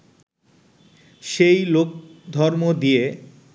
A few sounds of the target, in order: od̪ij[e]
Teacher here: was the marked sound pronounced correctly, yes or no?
yes